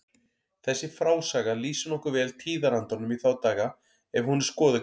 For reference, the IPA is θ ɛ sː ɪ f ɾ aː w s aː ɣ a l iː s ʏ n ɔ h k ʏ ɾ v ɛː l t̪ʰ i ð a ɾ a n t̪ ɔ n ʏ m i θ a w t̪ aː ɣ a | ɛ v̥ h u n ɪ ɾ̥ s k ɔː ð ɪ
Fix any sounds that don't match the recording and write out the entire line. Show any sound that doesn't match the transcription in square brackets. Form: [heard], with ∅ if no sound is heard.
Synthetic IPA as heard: θ ɛ sː ɪ f ɾ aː w s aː ɣ a l iː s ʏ n ɔ h k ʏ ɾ v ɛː l t̪ʰ [iː] ð a ɾ a n t̪ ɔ n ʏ m i θ a w t̪ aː ɣ a | ɛ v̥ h u n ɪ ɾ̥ s k ɔː ð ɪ